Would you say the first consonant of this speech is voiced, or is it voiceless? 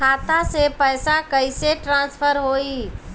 voiceless